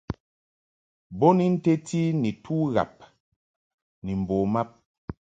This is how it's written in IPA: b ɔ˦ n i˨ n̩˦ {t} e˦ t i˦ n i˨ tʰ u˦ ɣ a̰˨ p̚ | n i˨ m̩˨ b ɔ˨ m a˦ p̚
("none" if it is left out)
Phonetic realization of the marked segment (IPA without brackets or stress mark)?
t